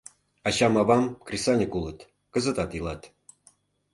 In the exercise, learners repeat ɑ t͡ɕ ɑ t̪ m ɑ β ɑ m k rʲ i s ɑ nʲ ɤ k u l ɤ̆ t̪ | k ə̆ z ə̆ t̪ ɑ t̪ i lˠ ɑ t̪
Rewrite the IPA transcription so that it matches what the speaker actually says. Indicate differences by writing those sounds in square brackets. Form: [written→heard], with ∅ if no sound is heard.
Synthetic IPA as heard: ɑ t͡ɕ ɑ [t̪→∅] m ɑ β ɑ m k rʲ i s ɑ nʲ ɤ k u l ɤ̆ t̪ | k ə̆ z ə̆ t̪ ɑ t̪ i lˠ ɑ t̪